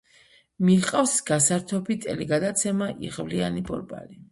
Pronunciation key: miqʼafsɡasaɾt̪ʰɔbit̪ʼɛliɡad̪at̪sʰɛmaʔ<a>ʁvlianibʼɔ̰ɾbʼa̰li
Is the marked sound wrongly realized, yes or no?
yes